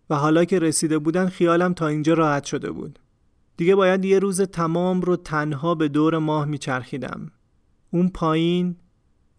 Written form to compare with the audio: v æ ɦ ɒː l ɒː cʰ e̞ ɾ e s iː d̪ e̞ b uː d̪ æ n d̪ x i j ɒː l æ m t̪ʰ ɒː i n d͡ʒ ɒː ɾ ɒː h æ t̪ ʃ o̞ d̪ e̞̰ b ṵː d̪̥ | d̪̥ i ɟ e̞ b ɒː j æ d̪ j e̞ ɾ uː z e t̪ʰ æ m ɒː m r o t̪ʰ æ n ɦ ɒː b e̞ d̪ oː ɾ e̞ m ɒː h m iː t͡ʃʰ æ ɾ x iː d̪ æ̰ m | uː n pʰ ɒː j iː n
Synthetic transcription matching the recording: v æ ɦ ɒː l ɒː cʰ e̞ ɾ e s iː d̪ e̞ b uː d̪ æ n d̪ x i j ɒː l æ m t̪ʰ ɒː i n d͡ʒ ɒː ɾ ɒː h æ t̪ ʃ o̞ d̪ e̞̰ b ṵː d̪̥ | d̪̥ i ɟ e̞ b ɒː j æ d̪ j e̞ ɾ uː z e t̪ʰ æ m ɒː m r o t̪ʰ æ n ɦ ɒː b e̞ d̪ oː ɾ e̞ m ɒː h m iː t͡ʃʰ æ ɾ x iː d̪ æ̰ m | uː n pʰ ɒː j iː n